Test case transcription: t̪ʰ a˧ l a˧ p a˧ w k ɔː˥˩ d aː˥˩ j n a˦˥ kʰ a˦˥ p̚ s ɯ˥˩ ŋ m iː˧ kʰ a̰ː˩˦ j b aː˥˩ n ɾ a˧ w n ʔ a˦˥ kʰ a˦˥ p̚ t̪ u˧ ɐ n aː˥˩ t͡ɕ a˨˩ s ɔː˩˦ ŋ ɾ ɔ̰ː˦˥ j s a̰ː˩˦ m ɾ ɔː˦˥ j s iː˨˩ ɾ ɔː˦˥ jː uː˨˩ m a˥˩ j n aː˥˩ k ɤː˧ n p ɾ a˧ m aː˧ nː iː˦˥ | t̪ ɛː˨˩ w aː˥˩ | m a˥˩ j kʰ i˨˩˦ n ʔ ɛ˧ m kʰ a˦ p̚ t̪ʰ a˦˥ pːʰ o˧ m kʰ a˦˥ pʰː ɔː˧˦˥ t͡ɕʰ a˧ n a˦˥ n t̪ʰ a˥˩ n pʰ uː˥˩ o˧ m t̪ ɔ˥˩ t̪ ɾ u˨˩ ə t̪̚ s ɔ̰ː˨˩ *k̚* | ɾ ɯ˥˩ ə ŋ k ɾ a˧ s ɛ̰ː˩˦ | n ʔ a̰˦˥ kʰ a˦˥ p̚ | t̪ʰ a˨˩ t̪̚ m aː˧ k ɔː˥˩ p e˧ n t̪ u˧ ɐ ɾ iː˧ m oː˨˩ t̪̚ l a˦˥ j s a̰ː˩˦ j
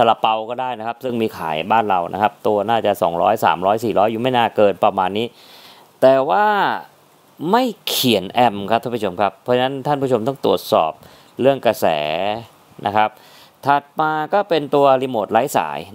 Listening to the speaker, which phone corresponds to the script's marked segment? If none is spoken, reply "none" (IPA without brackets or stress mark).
p̚